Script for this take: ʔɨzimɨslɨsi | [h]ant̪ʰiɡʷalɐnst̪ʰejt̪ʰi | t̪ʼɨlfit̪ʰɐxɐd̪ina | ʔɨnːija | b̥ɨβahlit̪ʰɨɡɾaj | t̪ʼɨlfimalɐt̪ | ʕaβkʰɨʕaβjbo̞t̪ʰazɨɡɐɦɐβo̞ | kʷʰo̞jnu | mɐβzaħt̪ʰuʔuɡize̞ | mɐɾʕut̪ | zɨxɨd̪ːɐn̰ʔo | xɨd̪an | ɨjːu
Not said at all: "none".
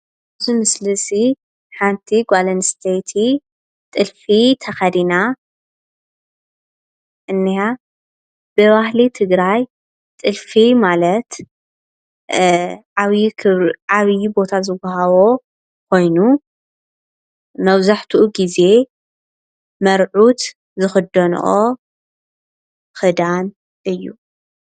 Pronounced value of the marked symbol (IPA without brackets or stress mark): ħ